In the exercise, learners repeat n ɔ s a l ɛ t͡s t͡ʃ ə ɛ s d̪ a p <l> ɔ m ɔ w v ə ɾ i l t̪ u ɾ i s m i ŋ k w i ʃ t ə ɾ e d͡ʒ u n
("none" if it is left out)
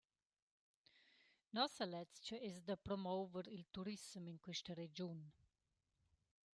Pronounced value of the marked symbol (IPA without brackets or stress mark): ɾ